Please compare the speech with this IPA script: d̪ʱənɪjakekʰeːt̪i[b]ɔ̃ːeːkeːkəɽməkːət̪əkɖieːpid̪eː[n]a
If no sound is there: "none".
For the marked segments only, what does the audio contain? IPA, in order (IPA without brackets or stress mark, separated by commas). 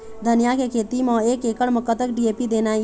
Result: m, n